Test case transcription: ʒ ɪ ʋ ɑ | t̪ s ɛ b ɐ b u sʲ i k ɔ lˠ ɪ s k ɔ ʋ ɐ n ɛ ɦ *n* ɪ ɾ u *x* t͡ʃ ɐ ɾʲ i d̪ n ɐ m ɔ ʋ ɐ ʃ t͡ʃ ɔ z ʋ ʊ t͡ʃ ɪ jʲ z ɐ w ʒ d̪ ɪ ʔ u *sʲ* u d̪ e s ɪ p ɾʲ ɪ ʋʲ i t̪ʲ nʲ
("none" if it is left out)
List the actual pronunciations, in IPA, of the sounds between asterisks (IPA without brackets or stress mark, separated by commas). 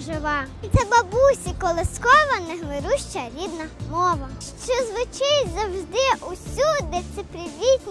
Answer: m, ʃ, sʲ